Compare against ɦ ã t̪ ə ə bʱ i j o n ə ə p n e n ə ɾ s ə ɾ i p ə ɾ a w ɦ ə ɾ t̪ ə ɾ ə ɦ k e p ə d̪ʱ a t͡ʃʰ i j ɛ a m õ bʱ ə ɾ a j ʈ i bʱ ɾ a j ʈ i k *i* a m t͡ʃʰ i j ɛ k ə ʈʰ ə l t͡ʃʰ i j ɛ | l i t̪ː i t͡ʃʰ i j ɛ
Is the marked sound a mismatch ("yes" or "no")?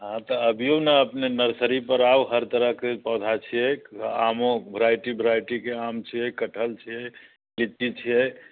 yes